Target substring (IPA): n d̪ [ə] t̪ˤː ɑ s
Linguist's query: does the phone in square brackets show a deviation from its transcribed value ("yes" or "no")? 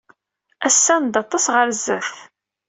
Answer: yes